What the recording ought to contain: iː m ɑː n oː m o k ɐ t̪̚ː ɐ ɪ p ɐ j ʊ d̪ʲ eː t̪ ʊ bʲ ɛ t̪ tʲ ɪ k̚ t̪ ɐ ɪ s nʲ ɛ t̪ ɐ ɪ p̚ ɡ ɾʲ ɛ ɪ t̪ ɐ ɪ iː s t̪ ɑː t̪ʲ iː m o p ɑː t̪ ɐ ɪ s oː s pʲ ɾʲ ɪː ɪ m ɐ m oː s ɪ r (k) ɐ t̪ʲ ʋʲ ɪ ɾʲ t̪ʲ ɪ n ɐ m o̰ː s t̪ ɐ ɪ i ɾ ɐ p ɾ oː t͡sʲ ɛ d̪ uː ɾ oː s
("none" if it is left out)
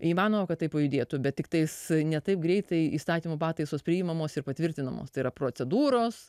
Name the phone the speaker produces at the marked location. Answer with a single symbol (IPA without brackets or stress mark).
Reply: p